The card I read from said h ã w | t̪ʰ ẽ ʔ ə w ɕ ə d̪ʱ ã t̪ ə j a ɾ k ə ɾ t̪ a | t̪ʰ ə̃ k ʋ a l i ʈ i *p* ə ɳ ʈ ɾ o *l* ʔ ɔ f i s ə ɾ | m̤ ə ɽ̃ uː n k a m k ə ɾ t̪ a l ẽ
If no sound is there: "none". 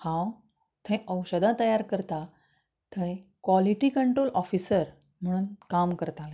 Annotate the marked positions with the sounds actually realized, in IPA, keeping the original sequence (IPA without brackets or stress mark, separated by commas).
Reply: k, l